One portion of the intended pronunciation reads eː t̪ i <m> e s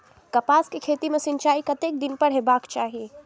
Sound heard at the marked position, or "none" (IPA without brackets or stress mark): m